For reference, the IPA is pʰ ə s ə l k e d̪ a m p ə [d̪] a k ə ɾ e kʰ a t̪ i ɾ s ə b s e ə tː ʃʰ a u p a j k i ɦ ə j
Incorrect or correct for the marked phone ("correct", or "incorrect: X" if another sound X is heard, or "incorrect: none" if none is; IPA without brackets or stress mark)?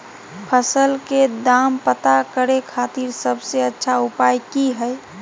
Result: incorrect: t̪